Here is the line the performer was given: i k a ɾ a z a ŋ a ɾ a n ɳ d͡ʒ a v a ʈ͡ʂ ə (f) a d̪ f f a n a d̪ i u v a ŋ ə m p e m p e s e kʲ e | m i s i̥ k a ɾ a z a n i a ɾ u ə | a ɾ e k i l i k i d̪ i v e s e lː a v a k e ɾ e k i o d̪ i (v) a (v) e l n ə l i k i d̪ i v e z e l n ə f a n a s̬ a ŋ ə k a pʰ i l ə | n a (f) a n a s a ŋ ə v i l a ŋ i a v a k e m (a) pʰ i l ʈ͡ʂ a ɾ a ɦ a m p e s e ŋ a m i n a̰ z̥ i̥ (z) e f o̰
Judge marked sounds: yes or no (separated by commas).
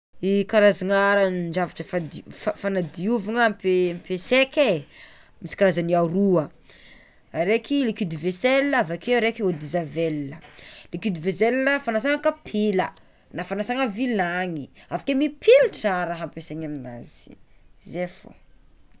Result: yes, no, yes, yes, no, yes